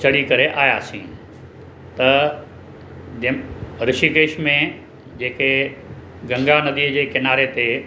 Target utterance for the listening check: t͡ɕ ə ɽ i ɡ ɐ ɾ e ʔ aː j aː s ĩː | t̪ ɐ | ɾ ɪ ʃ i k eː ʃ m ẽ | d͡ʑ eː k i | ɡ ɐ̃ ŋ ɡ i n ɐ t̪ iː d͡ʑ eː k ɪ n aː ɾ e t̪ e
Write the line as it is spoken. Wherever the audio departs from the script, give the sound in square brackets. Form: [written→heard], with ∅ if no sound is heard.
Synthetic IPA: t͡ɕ [ə→ɐ] ɽ i [ɡ→k] ɐ ɾ e ʔ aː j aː s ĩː | t̪ ɐ | ɾ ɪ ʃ i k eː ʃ m ẽ | d͡ʑ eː k [i→e] | ɡ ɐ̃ ŋ ɡ [i→a] n ɐ [t̪→d̪] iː d͡ʑ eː k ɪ n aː ɾ e t̪ e